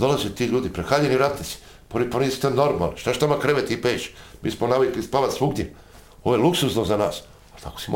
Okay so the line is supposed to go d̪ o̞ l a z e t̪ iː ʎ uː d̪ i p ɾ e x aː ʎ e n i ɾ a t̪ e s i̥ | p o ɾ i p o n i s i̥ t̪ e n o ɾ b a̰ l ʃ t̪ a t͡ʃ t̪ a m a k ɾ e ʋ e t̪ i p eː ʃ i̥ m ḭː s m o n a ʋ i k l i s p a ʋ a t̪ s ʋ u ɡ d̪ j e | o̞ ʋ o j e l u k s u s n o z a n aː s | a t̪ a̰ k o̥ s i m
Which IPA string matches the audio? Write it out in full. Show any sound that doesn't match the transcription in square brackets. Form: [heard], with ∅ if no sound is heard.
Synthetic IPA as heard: d̪ o̞ l a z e t̪ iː ʎ uː d̪ i p ɾ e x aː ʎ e n i ɾ a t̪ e s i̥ | p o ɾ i p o n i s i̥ t̪ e n o ɾ [m] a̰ l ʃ t̪ a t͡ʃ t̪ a m a k ɾ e ʋ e t̪ i p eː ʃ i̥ m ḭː s m o n a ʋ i k l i s p a ʋ a t̪ s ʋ u ɡ d̪ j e | o̞ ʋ o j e l u k s u s n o z a n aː s | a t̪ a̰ k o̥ s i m